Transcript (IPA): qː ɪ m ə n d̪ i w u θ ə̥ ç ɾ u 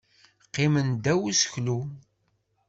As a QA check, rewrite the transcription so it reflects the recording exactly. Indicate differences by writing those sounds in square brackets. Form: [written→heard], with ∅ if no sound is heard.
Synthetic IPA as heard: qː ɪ m ə n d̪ [i→æ] w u [θ→s] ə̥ ç [ɾ→l] u